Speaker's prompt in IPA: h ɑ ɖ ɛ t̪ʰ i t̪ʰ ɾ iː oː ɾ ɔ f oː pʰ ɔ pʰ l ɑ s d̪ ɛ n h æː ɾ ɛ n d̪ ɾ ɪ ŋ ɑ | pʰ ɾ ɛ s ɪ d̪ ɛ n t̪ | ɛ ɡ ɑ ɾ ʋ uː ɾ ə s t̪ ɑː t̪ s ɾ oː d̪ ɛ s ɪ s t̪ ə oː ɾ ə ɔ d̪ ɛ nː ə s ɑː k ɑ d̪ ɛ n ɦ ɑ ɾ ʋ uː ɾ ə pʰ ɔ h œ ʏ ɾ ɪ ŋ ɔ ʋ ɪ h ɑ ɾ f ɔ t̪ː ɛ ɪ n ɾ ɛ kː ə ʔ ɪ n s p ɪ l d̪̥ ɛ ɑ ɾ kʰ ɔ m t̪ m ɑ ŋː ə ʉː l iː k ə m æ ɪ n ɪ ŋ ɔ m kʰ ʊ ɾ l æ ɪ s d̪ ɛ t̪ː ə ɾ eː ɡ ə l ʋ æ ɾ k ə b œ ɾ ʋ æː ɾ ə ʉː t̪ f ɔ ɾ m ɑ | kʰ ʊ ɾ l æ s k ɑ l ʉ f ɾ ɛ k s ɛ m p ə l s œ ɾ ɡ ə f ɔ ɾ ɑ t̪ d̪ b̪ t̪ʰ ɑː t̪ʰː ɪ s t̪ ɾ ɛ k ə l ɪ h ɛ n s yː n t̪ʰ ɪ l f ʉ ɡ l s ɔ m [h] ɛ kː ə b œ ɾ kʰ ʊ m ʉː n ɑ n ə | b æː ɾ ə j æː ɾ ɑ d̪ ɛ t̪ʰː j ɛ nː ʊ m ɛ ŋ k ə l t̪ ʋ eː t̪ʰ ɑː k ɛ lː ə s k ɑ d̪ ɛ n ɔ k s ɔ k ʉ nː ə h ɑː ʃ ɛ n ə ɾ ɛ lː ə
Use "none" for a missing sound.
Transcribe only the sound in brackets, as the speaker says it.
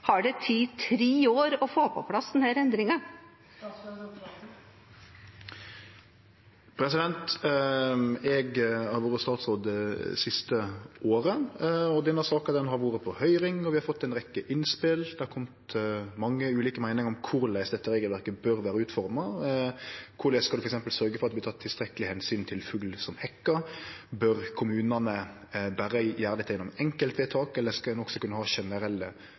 h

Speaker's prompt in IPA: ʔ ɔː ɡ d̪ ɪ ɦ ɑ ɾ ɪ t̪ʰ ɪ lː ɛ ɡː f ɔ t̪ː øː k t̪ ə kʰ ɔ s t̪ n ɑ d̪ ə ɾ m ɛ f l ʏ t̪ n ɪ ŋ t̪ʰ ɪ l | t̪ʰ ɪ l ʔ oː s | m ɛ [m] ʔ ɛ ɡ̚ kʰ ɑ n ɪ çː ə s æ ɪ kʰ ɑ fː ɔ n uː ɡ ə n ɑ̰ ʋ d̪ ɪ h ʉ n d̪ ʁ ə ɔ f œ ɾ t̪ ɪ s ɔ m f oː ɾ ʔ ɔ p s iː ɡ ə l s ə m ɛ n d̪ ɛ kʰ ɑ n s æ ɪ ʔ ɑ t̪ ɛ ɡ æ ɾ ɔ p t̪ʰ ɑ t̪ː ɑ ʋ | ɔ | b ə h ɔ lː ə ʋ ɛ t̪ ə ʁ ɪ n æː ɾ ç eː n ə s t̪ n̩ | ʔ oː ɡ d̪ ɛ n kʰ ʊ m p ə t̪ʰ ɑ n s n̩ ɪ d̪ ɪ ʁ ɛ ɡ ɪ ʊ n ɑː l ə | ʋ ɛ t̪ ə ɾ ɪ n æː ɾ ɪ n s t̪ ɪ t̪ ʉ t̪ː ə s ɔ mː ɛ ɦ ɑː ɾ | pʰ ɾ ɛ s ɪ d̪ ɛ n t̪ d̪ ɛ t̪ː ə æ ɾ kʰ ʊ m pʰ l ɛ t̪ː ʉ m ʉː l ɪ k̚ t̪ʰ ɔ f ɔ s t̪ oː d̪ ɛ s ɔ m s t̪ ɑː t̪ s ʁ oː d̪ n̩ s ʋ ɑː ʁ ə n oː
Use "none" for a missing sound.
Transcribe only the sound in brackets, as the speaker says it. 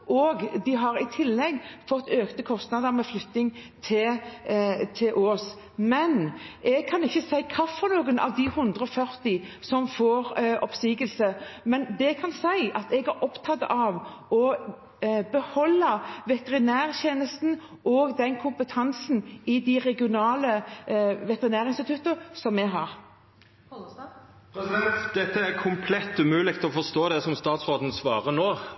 n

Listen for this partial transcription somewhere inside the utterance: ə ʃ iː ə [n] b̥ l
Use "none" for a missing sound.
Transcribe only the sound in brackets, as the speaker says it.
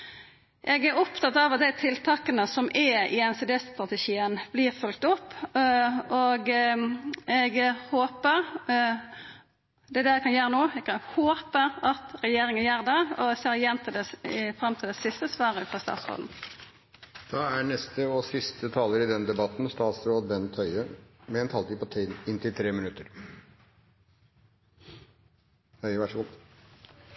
n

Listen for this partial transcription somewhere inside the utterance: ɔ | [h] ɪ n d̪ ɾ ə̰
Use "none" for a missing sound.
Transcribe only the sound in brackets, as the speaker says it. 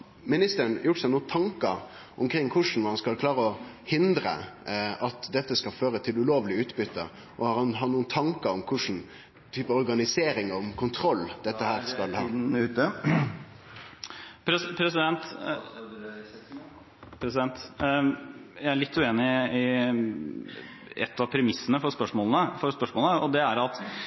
h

